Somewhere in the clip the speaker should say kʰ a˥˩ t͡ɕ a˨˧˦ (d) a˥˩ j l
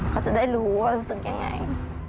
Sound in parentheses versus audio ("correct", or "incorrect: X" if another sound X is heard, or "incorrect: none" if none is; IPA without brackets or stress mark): correct